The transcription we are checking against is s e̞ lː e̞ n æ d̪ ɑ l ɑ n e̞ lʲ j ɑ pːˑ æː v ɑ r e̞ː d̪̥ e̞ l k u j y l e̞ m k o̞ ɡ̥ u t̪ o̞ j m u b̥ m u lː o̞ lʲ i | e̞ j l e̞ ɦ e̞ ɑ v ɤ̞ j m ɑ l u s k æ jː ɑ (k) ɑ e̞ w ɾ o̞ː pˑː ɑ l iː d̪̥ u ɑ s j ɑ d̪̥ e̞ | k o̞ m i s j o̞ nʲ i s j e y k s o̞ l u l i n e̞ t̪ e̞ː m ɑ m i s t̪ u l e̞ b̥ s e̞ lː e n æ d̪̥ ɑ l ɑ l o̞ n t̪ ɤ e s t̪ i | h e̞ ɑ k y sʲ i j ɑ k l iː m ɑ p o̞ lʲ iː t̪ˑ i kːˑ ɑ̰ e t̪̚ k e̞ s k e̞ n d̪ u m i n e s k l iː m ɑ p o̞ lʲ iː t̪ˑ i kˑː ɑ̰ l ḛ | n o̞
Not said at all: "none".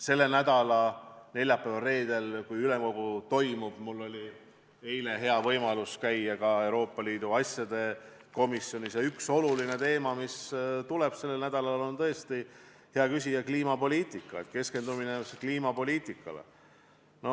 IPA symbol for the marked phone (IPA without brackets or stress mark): k